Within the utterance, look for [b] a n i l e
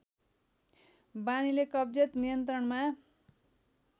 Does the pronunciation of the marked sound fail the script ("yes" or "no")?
no